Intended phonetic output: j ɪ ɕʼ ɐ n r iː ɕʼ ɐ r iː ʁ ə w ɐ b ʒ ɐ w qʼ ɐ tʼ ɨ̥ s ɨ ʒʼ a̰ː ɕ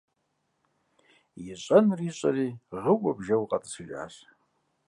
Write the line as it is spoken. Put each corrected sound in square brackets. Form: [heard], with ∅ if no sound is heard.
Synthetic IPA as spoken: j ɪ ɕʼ ɐ n r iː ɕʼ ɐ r iː ʁ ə w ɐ b ʒ ɐ w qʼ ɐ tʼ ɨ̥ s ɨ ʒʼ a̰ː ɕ